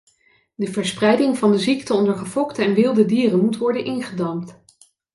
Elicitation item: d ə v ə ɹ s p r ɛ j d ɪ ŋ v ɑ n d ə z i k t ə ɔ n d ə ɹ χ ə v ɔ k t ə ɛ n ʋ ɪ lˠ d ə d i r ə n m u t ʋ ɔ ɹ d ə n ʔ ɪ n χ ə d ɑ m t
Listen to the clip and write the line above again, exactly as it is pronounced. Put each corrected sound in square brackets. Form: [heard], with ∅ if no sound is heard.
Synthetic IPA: d ə v ə ɹ s p r ɛ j d ɪ ŋ v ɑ n d ə z i k t ə ɔ n d ə ɹ χ ə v ɔ k t ə ɛ n ʋ ɪ lˠ d ə d [iː] r ə n m u t ʋ ɔ ɹ d ə n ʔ ɪ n χ ə d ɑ m t